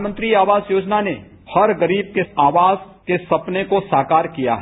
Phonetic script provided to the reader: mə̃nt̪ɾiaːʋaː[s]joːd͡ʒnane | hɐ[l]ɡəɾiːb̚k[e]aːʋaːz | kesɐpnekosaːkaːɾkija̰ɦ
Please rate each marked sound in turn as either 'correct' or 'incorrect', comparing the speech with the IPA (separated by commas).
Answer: incorrect, incorrect, correct